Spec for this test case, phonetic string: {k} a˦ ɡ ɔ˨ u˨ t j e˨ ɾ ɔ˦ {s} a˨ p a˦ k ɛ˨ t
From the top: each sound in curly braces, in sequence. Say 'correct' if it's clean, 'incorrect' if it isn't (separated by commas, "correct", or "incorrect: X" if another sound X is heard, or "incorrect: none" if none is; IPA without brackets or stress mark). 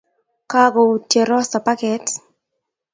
correct, correct